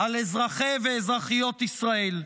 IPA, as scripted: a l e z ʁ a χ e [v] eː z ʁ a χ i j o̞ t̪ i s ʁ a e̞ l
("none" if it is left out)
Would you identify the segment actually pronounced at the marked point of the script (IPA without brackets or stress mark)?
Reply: v